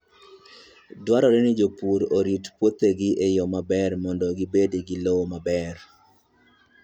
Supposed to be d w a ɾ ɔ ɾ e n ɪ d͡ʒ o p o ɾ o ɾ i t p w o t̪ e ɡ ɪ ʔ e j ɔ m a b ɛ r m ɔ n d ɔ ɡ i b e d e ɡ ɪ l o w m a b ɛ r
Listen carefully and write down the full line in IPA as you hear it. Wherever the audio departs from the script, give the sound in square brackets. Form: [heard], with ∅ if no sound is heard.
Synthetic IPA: d w a ɾ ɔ ɾ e n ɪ d͡ʒ o p [u] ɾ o ɾ i t p w o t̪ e ɡ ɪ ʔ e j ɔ m a b ɛ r m ɔ n d ɔ ɡ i b e d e ɡ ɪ l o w m a b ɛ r